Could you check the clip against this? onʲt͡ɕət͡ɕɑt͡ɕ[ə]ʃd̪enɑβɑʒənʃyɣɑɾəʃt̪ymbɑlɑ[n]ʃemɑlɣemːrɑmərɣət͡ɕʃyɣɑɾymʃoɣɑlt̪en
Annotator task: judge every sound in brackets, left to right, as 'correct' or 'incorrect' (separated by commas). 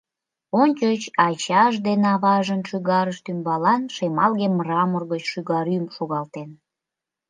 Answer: incorrect, correct